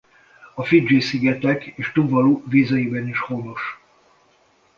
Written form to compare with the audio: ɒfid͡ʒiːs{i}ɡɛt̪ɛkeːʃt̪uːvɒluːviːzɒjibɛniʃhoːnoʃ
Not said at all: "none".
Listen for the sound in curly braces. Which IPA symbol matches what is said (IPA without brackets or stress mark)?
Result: i